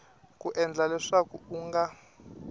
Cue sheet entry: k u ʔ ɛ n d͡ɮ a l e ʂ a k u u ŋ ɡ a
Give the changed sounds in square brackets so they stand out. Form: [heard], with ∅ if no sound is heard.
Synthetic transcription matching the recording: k u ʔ ɛ n d͡ɮ a l [ɛ] ʂ a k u u ŋ ɡ a